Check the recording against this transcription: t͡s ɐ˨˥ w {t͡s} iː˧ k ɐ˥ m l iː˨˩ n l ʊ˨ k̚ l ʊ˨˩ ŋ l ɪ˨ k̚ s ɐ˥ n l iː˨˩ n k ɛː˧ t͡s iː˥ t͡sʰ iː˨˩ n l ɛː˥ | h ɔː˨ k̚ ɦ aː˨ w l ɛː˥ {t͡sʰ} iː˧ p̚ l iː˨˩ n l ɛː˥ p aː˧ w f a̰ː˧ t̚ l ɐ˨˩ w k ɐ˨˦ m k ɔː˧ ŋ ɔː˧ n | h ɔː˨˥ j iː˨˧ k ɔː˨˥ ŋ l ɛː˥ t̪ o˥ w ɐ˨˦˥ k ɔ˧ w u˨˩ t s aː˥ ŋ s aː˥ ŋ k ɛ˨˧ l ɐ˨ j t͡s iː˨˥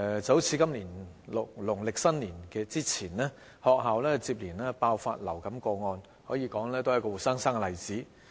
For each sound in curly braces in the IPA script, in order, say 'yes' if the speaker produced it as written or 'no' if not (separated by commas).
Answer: no, no